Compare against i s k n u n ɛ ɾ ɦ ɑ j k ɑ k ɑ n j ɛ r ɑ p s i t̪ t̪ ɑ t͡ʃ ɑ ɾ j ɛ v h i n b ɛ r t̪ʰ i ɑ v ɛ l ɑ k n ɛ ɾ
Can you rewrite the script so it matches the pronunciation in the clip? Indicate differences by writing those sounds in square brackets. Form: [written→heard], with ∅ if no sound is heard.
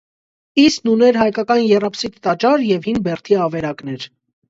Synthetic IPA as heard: i s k n u n ɛ ɾ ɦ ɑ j k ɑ k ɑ n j ɛ r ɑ p s i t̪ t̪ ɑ t͡ʃ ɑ ɾ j ɛ v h i n b ɛ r t̪ʰ i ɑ v ɛ [l→ɾ] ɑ k n ɛ ɾ